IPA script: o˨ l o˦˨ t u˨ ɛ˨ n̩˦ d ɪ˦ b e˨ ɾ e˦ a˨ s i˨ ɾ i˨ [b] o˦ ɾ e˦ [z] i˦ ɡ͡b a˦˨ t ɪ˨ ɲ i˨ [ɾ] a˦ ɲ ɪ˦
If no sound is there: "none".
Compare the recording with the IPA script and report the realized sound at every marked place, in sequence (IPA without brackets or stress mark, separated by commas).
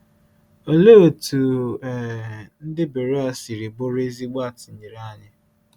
b, z, ɾ